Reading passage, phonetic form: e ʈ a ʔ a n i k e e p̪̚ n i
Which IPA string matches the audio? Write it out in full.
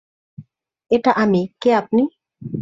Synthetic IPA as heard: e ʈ a ʔ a m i k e a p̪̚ n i